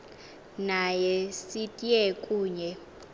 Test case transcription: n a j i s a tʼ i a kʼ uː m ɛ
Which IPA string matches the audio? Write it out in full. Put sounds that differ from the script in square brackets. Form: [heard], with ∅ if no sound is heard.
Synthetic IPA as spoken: n a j [ɛ] s [i] tʼ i [ɛ] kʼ uː [ɲ] ɛ